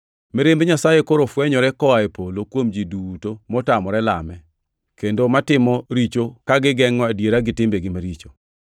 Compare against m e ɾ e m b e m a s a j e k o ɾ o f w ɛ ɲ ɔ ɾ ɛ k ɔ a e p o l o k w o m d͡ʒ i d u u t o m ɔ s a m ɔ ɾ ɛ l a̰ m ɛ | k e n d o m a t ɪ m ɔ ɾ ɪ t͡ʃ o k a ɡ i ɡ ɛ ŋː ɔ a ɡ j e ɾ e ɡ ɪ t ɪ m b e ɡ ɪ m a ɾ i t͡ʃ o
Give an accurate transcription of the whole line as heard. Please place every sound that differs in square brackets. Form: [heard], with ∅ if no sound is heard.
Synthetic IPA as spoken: m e ɾ e m b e [ɲ] a s a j e k o ɾ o f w ɛ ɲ ɔ ɾ ɛ k ɔ a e p o l o k w o m d͡ʒ i d u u t o m ɔ [t] a m ɔ ɾ ɛ l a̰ m ɛ | k e n d o m a t ɪ m ɔ ɾ [i] t͡ʃ o k a ɡ [ɪ] ɡ ɛ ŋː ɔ a [d] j e ɾ [a] ɡ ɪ t ɪ m b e ɡ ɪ m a ɾ i t͡ʃ o